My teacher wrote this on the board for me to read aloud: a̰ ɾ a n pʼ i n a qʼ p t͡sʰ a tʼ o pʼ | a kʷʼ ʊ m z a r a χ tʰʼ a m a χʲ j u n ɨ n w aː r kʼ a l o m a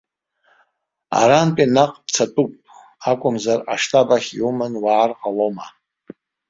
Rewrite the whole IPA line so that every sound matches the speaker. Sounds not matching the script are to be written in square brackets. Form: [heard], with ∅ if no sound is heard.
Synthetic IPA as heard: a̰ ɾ a n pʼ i n a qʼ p t͡sʰ a tʼ [u] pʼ | a kʷʼ ʊ m z a r a [ʂ] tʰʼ a [b] a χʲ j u [m] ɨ n w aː r [qʼ] a l o m a